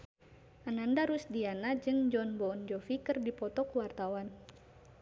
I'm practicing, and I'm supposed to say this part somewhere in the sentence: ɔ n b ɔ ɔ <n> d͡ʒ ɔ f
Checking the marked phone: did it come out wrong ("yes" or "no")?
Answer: no